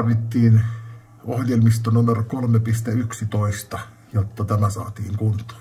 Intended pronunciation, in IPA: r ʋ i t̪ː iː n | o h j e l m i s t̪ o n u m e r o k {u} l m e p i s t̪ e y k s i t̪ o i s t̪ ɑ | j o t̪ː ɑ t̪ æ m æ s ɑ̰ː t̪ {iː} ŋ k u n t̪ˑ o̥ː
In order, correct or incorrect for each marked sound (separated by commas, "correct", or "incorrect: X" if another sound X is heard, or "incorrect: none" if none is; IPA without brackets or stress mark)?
incorrect: o, correct